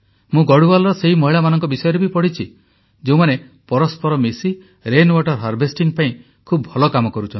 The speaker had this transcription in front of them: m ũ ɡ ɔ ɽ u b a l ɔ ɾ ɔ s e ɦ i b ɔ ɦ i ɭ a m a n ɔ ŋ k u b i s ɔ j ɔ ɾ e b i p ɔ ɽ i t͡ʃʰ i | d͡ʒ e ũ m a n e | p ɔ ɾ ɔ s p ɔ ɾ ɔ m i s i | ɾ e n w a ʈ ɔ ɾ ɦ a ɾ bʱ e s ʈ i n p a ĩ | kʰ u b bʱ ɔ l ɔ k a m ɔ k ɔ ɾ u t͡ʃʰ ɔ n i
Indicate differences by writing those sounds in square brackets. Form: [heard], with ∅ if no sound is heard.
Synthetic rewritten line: m ũ ɡ ɔ ɽ u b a l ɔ ɾ ɔ s e ɦ i [m] ɔ ɦ i ɭ a m a n ɔ ŋ k [ɔ] b i s ɔ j ɔ ɾ e b i p ɔ ɽ i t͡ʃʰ i | d͡ʒ e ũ m a n e | p ɔ ɾ ɔ s p ɔ ɾ ɔ m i s i | ɾ e n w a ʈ ɔ ɾ ɦ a ɾ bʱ e s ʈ i [ŋ] p a ĩ | kʰ u b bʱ ɔ l ɔ k a m ɔ k ɔ ɾ u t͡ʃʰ ɔ n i